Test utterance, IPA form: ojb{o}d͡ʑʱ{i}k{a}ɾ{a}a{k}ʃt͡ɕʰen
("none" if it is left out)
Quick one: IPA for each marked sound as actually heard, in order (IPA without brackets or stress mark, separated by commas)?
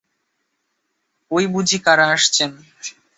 u, i, a, a, none